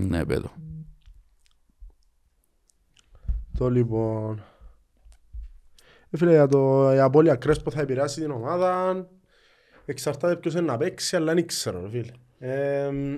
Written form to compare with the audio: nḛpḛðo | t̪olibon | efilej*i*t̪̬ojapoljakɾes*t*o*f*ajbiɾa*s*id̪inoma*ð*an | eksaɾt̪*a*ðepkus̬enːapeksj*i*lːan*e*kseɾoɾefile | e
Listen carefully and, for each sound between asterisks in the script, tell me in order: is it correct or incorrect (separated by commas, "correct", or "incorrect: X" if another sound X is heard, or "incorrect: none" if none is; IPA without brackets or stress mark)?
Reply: incorrect: a, incorrect: p, incorrect: θ, correct, correct, correct, incorrect: a, incorrect: i